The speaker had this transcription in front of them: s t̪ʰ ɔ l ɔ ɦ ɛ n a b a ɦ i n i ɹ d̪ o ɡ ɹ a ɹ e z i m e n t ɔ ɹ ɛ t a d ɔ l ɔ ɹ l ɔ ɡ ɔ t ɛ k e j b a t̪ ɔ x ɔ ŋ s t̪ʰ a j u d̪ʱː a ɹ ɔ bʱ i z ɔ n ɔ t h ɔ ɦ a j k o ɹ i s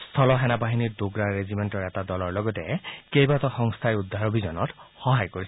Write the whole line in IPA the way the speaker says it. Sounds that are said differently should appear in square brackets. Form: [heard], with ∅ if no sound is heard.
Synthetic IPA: s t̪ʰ ɔ l ɔ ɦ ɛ n a b a ɦ i n i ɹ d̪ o ɡ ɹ a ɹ e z i m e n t ɔ ɹ ɛ t a d ɔ l ɔ ɹ l ɔ ɡ ɔ t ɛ k e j b a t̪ ɔ x ɔ ŋ s t̪ʰ a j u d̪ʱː a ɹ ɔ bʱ i z ɔ n ɔ t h ɔ ɦ a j k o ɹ i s